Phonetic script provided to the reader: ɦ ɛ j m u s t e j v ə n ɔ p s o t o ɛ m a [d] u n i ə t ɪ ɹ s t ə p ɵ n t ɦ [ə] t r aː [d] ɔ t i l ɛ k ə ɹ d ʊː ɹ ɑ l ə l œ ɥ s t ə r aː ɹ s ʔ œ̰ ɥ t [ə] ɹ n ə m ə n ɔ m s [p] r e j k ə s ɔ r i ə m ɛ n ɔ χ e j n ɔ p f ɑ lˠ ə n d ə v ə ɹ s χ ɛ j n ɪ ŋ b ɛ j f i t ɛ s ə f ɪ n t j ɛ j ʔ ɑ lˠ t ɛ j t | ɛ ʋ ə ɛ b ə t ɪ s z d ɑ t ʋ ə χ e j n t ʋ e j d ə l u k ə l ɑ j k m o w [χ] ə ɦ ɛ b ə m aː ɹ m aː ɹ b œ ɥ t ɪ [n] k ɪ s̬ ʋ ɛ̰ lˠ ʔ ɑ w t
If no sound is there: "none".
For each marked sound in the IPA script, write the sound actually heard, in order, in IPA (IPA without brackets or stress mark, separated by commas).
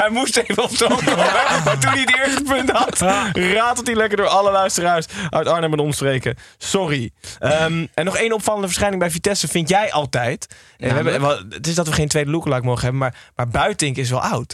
t, ɑ, t, ɑ, p, χ, ŋ